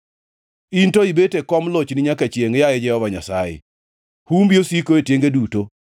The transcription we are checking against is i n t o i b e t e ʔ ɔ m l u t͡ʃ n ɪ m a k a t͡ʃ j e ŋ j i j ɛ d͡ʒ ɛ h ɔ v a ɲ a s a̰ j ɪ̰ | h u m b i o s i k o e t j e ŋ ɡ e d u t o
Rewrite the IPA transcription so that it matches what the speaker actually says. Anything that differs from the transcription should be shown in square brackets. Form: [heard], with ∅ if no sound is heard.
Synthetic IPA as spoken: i n t o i b e t e [k] ɔ m l [o] t͡ʃ n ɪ [ɲ] a k a t͡ʃ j e ŋ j [a] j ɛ d͡ʒ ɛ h ɔ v a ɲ a s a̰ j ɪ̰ | h u m b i o s i k o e t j e ŋ ɡ e d u t o

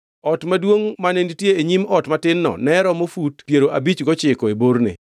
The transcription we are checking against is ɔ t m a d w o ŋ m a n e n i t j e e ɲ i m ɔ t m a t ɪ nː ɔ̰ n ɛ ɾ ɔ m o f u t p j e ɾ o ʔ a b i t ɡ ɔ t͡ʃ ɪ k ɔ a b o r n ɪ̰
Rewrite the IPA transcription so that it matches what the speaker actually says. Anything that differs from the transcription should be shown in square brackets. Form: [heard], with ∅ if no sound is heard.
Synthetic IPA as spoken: ɔ t m a d w o ŋ m a n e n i t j e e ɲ i m ɔ t m a t ɪ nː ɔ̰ n ɛ ɾ ɔ m o f u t p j e ɾ o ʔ a b i [t͡ʃ] ɡ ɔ t͡ʃ ɪ k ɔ [e] b o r n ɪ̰

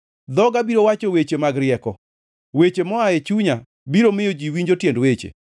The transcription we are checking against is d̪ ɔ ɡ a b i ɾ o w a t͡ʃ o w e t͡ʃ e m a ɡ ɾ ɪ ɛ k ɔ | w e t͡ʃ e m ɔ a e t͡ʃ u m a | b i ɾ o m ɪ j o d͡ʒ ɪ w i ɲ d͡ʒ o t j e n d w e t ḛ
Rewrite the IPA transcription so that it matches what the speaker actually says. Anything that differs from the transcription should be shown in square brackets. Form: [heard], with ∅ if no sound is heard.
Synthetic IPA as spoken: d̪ ɔ ɡ a b i ɾ o w a t͡ʃ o w e t͡ʃ e m a ɡ ɾ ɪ ɛ k ɔ | w e t͡ʃ e m ɔ a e t͡ʃ u [ɲ] a | b i ɾ o m ɪ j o d͡ʒ [i] w i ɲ d͡ʒ o t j e n d w e [t͡ʃ] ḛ

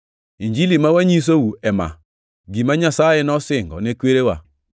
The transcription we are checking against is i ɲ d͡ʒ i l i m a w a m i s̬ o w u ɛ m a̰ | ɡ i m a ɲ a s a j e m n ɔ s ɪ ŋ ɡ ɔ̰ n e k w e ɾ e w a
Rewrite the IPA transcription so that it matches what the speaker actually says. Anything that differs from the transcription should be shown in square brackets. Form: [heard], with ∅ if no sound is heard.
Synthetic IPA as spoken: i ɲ d͡ʒ i l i m a w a [ɲ] i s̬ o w u ɛ m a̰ | ɡ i m a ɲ a s a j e [∅] n ɔ s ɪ ŋ ɡ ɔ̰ n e k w e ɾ e w a

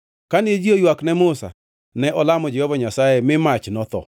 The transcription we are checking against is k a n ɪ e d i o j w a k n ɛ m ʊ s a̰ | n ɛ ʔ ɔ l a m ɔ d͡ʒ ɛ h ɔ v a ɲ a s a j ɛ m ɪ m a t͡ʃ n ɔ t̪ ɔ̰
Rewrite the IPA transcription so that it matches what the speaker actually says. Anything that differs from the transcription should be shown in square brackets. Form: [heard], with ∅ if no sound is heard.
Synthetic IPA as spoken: k a n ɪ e [d͡ʒ] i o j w a k n ɛ m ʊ s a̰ | n ɛ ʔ ɔ l a m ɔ d͡ʒ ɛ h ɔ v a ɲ a s a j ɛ m ɪ m a t͡ʃ n ɔ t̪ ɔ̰

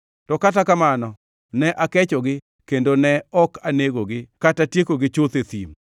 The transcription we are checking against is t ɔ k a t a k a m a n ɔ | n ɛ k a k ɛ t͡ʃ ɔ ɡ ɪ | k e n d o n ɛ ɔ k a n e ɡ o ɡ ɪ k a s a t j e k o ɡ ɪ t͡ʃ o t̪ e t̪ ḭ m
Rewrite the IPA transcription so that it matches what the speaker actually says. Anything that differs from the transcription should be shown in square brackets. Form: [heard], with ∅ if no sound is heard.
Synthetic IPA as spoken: t ɔ k a t a k a m a n ɔ | n ɛ [ʔ] a k ɛ t͡ʃ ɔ ɡ ɪ | k e n d o n ɛ ɔ k a n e ɡ o ɡ ɪ k a [t] a t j e k o ɡ ɪ t͡ʃ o t̪ e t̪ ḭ m

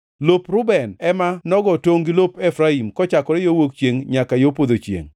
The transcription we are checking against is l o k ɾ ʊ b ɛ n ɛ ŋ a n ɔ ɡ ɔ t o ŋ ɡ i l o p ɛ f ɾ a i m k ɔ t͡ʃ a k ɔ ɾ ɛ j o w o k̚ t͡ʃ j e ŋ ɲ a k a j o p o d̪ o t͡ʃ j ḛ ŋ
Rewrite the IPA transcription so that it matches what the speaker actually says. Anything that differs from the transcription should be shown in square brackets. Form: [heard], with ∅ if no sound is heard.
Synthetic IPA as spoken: l o [p] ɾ ʊ b ɛ n ɛ [m] a n ɔ ɡ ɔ t o ŋ ɡ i l o p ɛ f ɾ a i m k ɔ t͡ʃ a k ɔ ɾ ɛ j o w o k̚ t͡ʃ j e ŋ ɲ a k a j o p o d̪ o t͡ʃ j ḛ ŋ

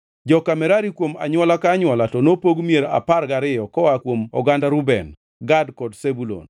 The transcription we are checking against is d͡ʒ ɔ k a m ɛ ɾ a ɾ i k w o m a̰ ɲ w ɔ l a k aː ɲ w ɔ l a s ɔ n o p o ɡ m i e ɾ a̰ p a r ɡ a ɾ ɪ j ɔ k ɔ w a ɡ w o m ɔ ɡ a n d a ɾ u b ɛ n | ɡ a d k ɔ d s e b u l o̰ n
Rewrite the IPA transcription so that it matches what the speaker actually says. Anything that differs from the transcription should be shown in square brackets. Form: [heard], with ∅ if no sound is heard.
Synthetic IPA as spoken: d͡ʒ ɔ k a m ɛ ɾ a ɾ i k w o m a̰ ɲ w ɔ l a k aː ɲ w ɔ l a [t] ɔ n o p o ɡ m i e ɾ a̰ p a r ɡ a ɾ ɪ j ɔ k ɔ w a [k] w o m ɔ ɡ a n d a ɾ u b ɛ n | ɡ a d k ɔ d s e b u l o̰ n

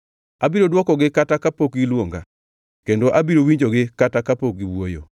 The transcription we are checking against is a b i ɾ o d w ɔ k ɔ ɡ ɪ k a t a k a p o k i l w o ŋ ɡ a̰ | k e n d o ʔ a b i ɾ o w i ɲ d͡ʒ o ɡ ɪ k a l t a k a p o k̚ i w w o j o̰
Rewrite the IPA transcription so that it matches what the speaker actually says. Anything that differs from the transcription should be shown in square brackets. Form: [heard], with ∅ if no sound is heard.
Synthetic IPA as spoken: a b i ɾ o d w ɔ k ɔ ɡ ɪ k a t a k a p o k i l w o ŋ ɡ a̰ | k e n d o ʔ a b i ɾ o w i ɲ d͡ʒ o ɡ ɪ k a [∅] t a k a p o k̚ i w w o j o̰

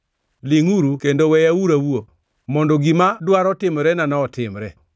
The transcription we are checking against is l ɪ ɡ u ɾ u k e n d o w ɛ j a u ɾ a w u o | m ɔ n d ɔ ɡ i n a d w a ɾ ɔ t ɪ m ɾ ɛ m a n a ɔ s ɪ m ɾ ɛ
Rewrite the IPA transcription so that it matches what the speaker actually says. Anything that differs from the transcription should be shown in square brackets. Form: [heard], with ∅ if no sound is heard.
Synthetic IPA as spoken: l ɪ [ŋ] u ɾ u k e n d o w ɛ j a u ɾ a w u o | m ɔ n d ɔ ɡ i [m] a d w a ɾ ɔ t ɪ m ɾ ɛ [n] a n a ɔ [t] ɪ m ɾ ɛ

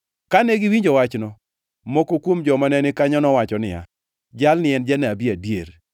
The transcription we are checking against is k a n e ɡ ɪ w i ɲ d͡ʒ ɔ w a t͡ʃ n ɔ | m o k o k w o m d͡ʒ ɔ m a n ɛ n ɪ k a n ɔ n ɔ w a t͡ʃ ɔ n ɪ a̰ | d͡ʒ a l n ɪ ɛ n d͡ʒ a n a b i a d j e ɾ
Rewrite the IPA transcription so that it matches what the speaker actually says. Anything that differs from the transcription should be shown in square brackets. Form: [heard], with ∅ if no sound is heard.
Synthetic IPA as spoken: k a n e ɡ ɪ w i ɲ d͡ʒ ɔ w a t͡ʃ n ɔ | m o k o k w o m d͡ʒ ɔ m a n ɛ n ɪ k a [ɲ] ɔ n ɔ w a t͡ʃ ɔ n ɪ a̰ | d͡ʒ a l n ɪ ɛ n d͡ʒ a n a b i a d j e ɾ

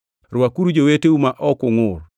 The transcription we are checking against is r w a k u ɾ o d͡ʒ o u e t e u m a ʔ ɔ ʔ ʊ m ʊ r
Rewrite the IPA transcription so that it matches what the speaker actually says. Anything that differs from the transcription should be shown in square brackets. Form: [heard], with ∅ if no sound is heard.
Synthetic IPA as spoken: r w a k u ɾ [u] d͡ʒ o [w] e t e u m a ʔ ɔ [k] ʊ [ŋ] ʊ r

